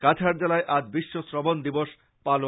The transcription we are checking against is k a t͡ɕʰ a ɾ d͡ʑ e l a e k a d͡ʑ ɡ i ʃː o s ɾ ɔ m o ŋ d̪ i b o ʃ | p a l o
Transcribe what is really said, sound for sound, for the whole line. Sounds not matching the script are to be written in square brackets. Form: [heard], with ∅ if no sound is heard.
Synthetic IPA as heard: k a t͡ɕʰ a ɾ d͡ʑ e l a e [ʔ] a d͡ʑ [b] i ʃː o s ɾ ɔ [b] o [n] d̪ i b o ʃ | p a l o